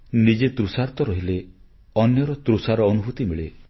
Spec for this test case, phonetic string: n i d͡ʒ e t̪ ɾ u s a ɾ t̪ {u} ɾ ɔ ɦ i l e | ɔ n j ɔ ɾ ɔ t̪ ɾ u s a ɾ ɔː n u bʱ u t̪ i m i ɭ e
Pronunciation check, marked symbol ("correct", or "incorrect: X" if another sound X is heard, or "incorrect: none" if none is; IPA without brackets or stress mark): incorrect: ɔ